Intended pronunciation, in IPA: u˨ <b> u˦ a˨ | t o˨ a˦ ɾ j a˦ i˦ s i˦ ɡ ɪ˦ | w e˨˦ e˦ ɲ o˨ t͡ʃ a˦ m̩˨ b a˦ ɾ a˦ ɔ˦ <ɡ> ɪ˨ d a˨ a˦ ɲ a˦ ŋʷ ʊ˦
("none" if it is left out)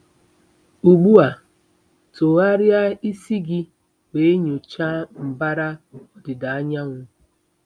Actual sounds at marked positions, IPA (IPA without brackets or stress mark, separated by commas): ɡ͡b, d